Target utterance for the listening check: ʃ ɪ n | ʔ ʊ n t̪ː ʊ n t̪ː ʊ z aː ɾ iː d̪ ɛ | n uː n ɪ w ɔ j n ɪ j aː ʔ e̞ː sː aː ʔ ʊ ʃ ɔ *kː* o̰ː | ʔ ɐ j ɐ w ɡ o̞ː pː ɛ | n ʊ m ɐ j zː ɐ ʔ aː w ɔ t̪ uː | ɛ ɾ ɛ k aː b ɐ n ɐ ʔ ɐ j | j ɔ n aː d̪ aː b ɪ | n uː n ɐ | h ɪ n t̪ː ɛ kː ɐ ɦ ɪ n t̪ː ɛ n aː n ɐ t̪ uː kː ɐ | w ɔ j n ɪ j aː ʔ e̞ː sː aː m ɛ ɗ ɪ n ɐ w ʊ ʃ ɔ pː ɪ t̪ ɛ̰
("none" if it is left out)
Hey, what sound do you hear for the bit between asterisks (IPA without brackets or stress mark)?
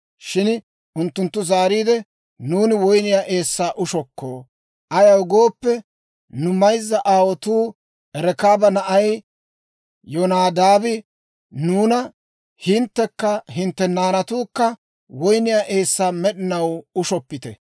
kː